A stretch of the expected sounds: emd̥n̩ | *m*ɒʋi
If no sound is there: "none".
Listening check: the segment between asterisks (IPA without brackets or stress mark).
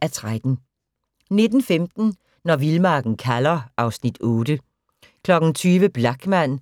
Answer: n